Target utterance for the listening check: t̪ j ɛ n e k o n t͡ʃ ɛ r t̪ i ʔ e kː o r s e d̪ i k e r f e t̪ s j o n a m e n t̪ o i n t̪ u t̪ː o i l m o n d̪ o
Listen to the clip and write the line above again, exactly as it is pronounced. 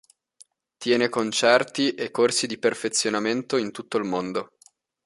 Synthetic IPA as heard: t̪ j ɛː n e k o n t͡ʃ ɛ r t̪ i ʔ e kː o r s i d̪ i p e r f e t̪ sː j o n a m e n t̪ o i n t̪ u t̪ː o i l m o n d̪ o